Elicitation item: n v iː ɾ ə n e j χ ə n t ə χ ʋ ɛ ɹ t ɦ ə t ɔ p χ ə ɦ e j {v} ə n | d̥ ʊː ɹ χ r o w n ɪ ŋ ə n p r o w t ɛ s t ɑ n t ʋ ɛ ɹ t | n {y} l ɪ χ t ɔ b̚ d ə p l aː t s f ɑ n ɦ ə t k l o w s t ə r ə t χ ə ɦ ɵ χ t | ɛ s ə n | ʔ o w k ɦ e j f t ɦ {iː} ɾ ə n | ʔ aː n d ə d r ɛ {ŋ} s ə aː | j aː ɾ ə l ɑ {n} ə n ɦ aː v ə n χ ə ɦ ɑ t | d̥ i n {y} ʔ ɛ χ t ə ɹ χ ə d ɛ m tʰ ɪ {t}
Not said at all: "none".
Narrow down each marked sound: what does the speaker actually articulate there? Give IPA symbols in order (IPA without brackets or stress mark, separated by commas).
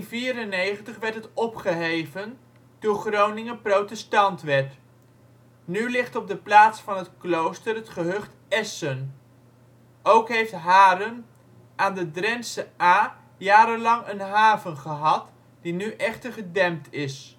v, y, aː, n, ŋ, y, s